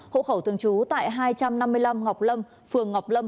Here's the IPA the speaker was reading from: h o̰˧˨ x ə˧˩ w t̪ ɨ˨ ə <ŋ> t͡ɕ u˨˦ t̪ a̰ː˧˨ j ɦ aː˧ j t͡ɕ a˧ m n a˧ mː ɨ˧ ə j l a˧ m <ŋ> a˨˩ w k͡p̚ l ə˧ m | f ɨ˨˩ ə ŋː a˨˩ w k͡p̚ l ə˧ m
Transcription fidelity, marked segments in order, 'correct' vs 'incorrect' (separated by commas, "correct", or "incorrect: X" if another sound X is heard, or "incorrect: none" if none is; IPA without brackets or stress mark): correct, correct